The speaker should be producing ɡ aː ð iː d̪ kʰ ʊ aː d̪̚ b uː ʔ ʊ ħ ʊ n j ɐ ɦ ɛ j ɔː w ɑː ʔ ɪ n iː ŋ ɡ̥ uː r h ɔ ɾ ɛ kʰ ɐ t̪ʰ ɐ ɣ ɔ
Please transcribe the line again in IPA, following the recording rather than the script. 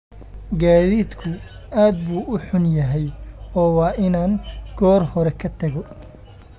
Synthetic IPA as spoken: ɡ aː ð iː d̪ kʰ ʊ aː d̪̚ b uː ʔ ʊ ħ ʊ n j ɐ ɦ ɛ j ɔː w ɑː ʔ ɪ n aː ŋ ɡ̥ ɔː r h ɔ ɾ ɛ kʰ ɐ t̪ʰ ɐ ɣ ɔ